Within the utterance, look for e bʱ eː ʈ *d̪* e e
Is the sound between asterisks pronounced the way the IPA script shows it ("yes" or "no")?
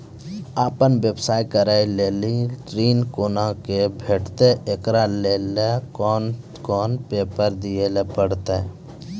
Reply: no